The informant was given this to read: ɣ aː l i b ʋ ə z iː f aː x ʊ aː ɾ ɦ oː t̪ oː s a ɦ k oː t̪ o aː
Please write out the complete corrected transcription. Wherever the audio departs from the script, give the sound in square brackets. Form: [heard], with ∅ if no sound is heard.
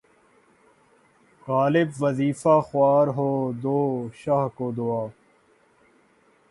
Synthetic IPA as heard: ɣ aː l [ɪ] b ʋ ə z iː f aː x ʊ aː ɾ ɦ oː [d̪] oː [ʃ] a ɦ k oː [d̪] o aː

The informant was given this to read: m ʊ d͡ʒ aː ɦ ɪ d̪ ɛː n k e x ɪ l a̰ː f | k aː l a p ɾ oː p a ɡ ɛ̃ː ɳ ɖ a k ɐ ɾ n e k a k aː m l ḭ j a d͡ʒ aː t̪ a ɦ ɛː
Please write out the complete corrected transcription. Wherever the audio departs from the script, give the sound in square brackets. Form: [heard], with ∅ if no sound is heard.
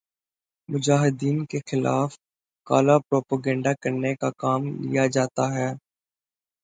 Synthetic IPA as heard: m ʊ d͡ʒ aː ɦ ɪ d̪ [iː] n k e x ɪ l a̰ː f | k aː l a p ɾ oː p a ɡ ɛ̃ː ɳ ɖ a k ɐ ɾ n e k a k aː m l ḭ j a d͡ʒ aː t̪ a ɦ ɛː

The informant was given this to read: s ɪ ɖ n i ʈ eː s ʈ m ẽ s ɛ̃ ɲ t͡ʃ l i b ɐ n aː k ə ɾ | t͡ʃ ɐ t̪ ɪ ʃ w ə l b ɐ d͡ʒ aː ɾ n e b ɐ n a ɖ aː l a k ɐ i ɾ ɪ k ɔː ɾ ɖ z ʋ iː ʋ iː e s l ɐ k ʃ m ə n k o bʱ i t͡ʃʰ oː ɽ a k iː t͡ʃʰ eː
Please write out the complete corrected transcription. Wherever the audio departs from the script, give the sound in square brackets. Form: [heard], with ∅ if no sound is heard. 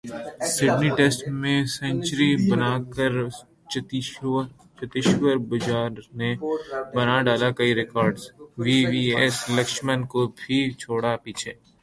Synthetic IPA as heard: s ɪ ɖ n i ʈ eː s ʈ m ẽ s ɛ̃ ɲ t͡ʃ [ɾ] i b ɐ n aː k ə ɾ | t͡ʃ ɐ t̪ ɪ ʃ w ə [ɾ] b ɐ d͡ʒ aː ɾ n e b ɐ n a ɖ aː l a k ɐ i ɾ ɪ k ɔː ɾ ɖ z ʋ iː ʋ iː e s l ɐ k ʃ m ə n k o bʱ i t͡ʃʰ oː ɽ a [p] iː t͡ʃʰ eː

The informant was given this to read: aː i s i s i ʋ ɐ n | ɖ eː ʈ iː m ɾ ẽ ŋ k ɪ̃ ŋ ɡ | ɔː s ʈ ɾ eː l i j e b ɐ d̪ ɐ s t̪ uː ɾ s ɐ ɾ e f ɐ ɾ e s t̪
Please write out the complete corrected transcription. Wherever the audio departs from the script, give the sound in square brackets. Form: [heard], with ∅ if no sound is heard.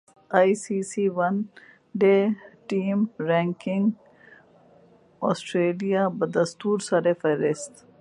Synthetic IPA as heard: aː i s i s i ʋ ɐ n | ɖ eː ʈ iː m ɾ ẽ ŋ k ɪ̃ ŋ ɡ | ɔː s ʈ ɾ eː l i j [a] b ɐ d̪ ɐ s t̪ uː ɾ s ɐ ɾ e f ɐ ɾ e s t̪

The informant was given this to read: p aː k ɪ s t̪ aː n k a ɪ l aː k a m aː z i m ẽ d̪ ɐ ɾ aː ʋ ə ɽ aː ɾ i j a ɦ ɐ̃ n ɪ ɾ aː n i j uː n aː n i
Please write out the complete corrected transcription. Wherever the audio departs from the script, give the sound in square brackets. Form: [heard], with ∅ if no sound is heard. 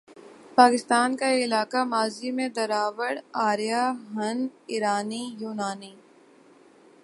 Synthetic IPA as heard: p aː k ɪ s t̪ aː n k a ɪ l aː k a m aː z i m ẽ d̪ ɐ ɾ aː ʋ ə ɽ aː ɾ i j a ɦ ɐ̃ n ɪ ɾ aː n i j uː n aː n i

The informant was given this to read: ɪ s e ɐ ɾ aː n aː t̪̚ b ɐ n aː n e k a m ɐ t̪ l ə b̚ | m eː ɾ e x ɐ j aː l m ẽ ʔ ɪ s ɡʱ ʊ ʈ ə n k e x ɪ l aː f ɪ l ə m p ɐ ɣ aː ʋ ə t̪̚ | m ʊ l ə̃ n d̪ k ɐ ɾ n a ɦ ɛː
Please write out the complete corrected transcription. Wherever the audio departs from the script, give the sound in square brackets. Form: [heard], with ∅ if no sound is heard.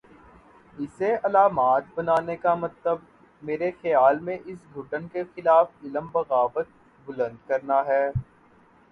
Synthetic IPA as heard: ɪ s e ɐ [l] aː [m] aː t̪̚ b ɐ n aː n e k a m ɐ t̪ l ə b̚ | m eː ɾ e x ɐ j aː l m ẽ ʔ ɪ s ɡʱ ʊ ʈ ə n k e x ɪ l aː f ɪ l ə m [b] ɐ ɣ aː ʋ ə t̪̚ | [b] ʊ l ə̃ n d̪ k ɐ ɾ n a ɦ ɛː

